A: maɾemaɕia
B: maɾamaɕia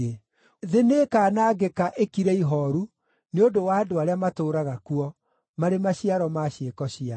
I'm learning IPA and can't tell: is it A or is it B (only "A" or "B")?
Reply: A